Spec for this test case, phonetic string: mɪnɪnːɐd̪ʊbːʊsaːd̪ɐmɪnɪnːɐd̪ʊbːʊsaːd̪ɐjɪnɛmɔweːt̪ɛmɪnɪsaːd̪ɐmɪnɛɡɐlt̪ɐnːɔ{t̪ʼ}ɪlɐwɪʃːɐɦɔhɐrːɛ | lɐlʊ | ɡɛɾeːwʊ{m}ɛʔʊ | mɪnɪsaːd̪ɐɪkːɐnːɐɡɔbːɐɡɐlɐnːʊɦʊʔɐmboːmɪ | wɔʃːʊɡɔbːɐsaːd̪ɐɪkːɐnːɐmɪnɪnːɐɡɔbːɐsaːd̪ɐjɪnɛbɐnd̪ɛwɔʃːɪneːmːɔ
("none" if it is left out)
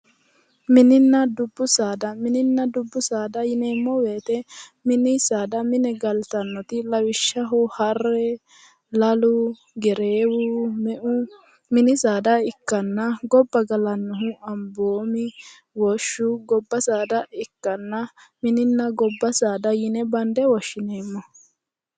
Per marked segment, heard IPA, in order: t̪, m

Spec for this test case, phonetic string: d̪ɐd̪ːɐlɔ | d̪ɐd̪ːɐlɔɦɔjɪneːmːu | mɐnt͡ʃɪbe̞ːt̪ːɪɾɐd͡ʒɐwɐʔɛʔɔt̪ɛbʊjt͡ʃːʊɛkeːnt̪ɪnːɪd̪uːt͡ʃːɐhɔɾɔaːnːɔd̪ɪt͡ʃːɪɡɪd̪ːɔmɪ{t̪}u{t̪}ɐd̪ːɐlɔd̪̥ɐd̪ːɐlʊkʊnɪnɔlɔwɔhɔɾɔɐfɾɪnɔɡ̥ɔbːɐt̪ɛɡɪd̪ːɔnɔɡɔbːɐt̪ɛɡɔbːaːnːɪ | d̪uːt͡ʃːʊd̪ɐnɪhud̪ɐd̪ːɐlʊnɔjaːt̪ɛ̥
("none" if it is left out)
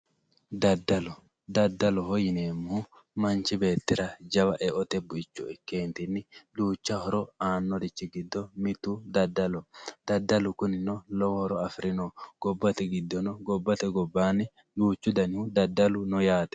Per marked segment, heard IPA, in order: t̪, d̪

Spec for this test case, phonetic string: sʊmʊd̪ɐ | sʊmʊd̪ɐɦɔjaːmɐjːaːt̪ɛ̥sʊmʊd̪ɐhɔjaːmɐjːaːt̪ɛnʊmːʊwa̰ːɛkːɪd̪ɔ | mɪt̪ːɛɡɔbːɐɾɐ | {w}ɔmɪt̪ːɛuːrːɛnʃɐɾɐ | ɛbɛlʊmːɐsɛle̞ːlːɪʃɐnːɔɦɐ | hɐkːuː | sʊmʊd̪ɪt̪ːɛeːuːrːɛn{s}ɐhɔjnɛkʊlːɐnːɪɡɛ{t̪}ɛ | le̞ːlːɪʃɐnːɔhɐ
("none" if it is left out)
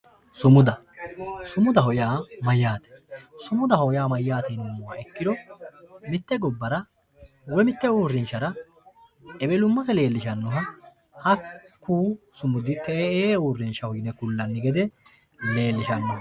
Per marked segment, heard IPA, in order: w, ʃ, d̪

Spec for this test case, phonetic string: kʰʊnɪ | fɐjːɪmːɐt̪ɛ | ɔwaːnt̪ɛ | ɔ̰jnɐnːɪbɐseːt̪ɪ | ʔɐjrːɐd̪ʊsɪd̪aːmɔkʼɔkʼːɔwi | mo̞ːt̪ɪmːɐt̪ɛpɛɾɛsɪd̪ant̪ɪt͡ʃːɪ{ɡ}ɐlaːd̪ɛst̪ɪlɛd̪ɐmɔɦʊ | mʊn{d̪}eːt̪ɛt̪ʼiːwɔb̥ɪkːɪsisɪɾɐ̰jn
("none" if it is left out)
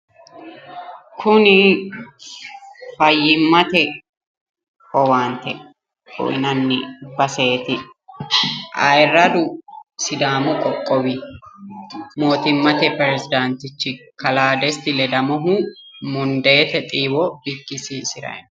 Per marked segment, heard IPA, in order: k, d̪

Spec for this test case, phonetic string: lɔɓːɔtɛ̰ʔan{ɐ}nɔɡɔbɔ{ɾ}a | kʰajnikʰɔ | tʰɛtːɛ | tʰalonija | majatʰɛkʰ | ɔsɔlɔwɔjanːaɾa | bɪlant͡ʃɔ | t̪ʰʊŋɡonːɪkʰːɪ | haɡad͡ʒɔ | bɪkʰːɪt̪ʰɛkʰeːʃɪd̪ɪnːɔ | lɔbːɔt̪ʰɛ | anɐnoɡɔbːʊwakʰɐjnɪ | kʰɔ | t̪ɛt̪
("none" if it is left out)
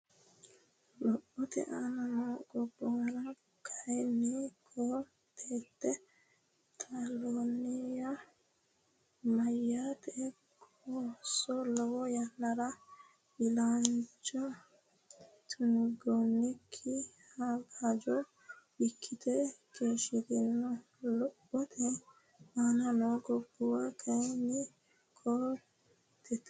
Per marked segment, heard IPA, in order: a, ɾ

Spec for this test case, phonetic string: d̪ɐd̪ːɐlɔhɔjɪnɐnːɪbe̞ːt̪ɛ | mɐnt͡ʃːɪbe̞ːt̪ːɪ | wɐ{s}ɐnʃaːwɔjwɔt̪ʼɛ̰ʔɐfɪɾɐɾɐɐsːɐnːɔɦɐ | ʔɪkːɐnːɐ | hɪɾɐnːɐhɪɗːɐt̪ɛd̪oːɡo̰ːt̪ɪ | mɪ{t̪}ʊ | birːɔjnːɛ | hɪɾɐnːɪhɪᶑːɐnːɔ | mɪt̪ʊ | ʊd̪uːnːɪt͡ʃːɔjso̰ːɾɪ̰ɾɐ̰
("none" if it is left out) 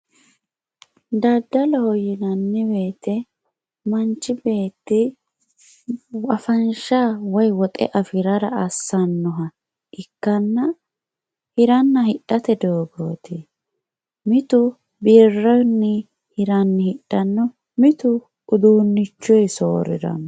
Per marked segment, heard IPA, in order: f, t̪

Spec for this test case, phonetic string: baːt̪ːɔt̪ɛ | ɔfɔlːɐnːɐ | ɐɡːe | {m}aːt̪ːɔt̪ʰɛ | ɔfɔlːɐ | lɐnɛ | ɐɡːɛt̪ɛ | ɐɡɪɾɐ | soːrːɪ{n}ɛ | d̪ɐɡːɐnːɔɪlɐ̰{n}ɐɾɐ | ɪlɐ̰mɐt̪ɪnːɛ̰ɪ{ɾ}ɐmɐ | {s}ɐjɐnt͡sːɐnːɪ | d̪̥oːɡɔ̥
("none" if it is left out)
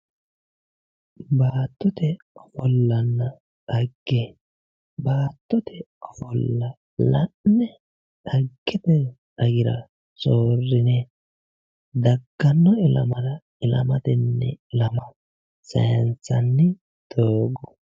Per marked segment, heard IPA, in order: b, n, m, l, s

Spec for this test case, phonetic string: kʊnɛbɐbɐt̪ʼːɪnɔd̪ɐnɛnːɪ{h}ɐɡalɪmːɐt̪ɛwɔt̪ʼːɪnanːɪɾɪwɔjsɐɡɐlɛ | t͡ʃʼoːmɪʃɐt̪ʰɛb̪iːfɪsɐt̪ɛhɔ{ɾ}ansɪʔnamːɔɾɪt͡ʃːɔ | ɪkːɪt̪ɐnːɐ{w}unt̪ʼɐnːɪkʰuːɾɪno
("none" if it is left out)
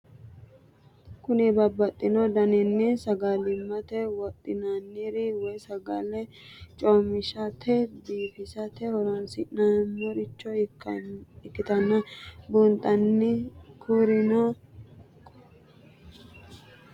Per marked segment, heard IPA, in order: s, ɾ, b

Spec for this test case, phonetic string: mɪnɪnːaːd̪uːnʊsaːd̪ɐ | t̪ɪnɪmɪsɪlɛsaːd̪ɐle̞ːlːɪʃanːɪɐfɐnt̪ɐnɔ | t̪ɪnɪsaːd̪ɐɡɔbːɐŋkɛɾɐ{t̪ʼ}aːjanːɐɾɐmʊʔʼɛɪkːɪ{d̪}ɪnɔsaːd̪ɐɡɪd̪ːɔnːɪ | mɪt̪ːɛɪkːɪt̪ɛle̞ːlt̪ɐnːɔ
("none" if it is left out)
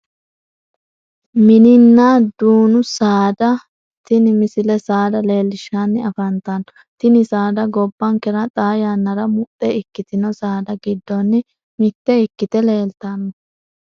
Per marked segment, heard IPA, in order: t̪ʼ, t̪

